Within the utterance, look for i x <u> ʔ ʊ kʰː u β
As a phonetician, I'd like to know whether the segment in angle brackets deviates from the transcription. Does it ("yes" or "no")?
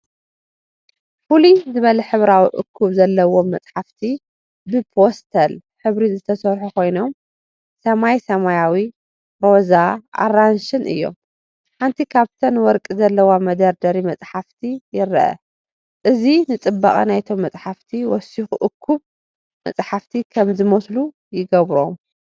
no